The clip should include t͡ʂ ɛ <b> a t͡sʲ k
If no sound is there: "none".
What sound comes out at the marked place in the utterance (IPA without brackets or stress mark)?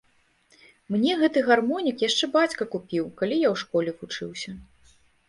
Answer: b